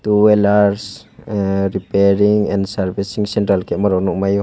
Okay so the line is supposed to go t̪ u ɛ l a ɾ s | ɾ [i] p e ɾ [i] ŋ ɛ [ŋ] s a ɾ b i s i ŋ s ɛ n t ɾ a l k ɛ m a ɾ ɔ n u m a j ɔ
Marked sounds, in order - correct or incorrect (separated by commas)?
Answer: correct, correct, incorrect